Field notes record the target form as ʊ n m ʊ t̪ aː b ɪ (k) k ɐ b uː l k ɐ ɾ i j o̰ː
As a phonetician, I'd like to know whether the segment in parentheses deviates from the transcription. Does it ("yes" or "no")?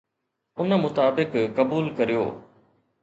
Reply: no